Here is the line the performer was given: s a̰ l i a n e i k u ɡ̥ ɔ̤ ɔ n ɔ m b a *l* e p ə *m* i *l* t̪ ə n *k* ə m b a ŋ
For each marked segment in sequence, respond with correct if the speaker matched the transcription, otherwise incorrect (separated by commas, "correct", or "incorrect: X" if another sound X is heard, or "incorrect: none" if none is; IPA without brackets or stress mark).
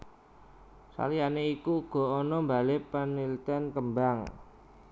correct, incorrect: n, correct, correct